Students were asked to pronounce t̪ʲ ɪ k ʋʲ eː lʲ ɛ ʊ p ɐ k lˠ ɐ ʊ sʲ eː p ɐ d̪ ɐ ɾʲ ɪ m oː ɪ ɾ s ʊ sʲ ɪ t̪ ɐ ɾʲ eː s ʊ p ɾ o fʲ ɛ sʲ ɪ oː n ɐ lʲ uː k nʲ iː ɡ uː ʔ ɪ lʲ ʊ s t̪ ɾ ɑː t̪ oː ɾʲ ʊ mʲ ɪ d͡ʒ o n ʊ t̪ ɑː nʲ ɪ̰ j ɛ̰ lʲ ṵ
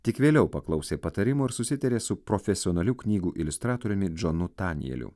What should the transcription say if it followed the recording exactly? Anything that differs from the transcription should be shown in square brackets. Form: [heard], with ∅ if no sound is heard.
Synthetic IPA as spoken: t̪ʲ ɪ k ʋʲ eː lʲ ɛ ʊ p ɐ k lˠ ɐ ʊ sʲ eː p ɐ [t̪] ɐ ɾʲ ɪ m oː ɪ ɾ s ʊ sʲ ɪ t̪ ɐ ɾʲ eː s ʊ p ɾ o fʲ ɛ sʲ ɪ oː n ɐ lʲ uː k nʲ iː ɡ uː ʔ ɪ lʲ ʊ s t̪ ɾ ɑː t̪ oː ɾʲ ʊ mʲ ɪ d͡ʒ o n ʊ t̪ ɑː nʲ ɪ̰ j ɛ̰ lʲ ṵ